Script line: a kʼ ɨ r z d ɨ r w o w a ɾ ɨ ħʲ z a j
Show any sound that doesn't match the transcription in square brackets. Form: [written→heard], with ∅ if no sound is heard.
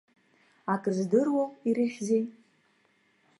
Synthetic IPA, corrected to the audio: a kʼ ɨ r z d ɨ r w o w [a→i] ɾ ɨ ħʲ z [a→e] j